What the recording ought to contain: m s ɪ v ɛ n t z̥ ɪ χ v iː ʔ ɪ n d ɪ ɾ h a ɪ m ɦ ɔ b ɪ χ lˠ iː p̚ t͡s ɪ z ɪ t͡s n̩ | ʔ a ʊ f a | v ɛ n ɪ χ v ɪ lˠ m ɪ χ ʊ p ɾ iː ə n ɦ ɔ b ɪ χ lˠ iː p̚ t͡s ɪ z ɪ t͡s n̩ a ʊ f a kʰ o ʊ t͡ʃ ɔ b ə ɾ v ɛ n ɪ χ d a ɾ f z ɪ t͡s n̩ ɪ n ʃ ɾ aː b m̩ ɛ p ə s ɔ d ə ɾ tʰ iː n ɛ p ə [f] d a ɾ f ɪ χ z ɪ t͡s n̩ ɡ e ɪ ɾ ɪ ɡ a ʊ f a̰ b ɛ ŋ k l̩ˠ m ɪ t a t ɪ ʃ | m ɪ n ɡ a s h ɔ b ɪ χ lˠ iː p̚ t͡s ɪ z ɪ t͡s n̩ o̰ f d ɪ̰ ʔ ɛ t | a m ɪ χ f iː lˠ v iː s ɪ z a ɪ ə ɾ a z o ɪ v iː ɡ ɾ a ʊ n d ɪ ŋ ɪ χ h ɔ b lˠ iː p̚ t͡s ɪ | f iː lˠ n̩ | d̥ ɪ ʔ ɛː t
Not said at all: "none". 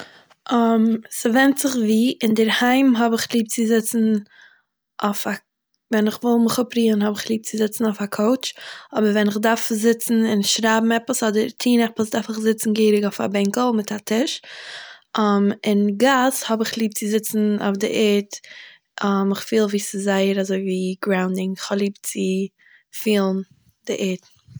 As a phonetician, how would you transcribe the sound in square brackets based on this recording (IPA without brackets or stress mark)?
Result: s